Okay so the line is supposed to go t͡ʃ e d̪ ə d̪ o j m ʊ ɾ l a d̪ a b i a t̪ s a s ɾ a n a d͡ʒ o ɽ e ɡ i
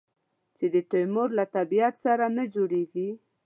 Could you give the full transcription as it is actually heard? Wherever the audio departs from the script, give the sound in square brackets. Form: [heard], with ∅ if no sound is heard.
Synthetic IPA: t͡ʃ e d̪ ə [t̪] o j m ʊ ɾ l a [t̪] a b i a t̪ s a [∅] ɾ a n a d͡ʒ o ɽ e ɡ i